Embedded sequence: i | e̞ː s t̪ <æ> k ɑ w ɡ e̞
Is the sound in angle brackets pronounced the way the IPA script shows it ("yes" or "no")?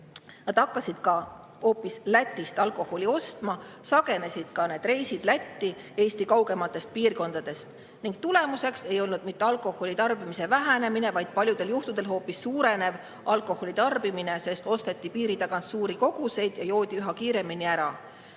no